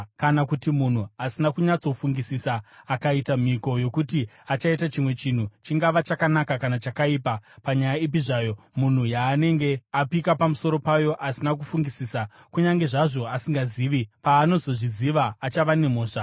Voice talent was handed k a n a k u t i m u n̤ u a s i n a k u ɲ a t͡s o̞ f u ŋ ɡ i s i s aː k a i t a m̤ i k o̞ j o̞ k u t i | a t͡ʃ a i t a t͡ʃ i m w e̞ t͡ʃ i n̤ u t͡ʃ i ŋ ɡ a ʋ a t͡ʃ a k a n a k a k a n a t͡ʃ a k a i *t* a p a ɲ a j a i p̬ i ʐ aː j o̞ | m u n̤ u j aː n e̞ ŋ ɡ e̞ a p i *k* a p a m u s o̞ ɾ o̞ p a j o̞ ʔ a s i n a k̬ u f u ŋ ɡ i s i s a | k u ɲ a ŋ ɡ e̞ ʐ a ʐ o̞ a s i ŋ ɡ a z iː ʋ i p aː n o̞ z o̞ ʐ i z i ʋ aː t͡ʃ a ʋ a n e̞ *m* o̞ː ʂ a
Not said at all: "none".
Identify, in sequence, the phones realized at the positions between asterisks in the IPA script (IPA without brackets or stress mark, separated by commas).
p, k, m